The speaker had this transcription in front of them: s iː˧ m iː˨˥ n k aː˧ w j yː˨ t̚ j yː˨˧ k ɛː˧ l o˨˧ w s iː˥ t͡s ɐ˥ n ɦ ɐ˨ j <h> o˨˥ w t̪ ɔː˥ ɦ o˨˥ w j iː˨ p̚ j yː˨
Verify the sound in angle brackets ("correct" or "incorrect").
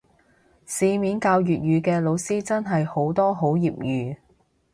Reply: correct